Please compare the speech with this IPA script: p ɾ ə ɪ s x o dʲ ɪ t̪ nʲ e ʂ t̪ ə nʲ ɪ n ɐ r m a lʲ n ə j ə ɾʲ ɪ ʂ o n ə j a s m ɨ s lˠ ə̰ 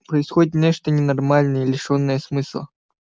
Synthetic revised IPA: p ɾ ə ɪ s x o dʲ ɪ t̪ nʲ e ʂ t̪ ə nʲ ɪ n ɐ r m a lʲ n ə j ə lʲ ɪ ʂ o nː ə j ə s m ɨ s lˠ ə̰